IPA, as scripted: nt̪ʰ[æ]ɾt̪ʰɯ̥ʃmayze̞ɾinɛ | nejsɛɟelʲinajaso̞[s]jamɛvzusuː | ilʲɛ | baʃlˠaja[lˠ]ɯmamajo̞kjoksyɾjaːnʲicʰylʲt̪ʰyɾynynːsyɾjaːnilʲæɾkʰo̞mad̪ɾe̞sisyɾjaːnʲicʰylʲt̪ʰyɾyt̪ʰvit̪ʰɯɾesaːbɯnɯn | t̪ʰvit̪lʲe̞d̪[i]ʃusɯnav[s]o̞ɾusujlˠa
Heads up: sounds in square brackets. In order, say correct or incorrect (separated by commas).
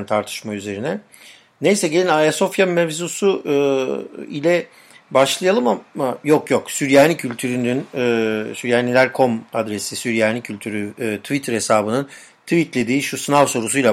incorrect, incorrect, correct, incorrect, correct